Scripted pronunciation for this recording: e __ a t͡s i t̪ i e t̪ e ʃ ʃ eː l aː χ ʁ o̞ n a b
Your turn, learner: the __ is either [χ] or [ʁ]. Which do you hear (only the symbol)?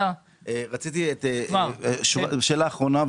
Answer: ʁ